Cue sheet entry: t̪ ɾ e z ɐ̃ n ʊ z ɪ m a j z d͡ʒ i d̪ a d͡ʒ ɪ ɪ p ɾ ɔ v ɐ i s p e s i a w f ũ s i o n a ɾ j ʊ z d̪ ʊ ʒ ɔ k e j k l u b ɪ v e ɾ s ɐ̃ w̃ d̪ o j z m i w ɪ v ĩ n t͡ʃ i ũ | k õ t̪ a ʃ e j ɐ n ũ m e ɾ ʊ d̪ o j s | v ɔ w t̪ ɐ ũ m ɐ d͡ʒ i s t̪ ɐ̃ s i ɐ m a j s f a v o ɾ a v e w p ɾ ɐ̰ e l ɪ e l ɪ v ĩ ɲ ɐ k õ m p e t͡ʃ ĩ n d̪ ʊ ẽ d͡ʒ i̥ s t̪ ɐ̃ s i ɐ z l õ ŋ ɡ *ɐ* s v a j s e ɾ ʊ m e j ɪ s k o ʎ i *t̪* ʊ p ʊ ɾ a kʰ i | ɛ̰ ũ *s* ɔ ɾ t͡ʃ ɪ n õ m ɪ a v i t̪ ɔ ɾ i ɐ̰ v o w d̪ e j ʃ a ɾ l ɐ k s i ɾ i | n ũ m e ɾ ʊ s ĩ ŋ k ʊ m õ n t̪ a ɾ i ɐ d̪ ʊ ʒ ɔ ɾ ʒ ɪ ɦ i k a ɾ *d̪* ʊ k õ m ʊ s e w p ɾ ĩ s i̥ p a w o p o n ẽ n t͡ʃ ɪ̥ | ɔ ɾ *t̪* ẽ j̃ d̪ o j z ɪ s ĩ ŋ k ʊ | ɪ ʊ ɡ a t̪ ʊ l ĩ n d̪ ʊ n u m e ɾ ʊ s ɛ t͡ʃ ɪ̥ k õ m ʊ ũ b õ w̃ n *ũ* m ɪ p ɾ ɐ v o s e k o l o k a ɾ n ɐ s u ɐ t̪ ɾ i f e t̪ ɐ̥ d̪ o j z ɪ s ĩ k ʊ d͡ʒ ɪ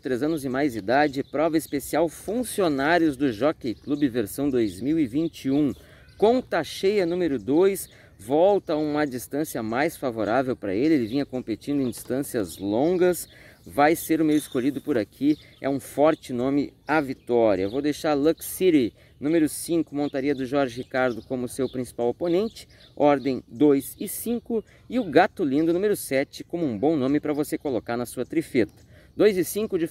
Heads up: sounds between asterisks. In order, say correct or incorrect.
correct, incorrect, incorrect, correct, incorrect, incorrect

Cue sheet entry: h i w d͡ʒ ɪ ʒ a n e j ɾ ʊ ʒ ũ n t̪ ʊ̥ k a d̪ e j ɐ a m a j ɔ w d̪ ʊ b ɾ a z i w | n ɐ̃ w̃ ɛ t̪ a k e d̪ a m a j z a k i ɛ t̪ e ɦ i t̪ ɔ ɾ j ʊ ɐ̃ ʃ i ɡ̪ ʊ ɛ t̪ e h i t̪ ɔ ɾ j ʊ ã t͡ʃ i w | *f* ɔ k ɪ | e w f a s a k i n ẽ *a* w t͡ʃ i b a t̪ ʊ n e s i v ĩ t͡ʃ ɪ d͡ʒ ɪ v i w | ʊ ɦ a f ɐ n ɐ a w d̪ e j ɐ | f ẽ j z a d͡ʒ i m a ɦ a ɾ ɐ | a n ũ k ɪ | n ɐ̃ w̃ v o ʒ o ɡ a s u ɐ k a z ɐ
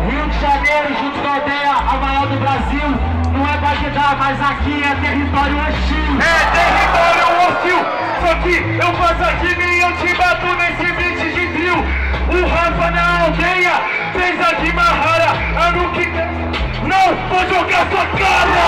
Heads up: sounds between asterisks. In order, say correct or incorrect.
incorrect, incorrect

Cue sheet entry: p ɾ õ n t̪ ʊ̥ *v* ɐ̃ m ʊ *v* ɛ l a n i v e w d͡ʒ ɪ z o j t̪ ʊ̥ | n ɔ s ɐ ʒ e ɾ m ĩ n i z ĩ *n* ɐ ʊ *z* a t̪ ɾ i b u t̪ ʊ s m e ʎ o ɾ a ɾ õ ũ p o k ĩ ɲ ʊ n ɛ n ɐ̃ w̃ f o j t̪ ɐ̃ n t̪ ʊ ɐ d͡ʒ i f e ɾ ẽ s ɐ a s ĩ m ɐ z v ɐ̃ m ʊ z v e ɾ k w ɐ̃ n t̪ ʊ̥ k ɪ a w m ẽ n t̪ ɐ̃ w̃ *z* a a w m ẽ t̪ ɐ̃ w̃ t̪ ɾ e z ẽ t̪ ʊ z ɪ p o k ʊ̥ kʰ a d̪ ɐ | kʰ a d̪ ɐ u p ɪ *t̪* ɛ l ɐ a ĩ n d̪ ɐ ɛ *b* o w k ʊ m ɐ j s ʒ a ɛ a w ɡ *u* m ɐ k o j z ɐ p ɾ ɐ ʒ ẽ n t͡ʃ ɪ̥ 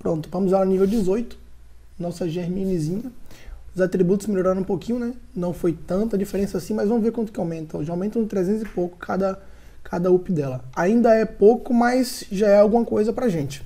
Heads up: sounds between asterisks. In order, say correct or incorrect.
correct, incorrect, incorrect, correct, incorrect, incorrect, incorrect, incorrect

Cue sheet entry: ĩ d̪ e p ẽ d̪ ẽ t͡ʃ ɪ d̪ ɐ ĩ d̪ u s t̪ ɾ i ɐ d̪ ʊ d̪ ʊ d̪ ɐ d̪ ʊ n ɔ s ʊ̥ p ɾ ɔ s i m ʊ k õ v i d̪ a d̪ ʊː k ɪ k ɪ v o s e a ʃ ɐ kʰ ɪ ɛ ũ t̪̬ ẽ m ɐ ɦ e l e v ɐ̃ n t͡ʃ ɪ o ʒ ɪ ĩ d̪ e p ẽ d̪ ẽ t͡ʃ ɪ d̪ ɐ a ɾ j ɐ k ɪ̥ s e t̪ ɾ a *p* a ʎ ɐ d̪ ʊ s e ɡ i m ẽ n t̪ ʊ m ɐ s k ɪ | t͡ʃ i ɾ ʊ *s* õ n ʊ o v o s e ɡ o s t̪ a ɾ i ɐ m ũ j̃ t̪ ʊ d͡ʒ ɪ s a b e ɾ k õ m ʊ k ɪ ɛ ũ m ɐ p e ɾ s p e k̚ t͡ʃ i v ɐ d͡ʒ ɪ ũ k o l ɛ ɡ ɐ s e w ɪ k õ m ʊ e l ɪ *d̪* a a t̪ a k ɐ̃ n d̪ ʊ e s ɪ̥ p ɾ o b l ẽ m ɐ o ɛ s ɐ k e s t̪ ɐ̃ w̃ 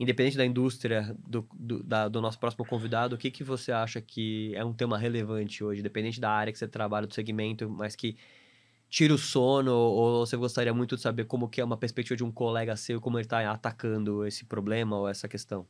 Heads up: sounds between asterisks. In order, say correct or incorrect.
incorrect, correct, incorrect

